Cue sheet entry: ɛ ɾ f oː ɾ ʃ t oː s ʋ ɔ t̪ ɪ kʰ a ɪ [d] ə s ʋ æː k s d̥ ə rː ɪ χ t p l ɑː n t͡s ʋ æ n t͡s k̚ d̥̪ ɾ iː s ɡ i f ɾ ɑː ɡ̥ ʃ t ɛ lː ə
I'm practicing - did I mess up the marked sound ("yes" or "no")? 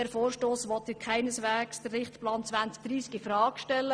yes